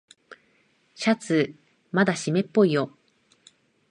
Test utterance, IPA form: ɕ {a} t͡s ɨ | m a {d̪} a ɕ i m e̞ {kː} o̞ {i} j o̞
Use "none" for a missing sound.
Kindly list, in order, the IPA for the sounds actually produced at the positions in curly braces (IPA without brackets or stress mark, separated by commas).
a, d̪, pː, i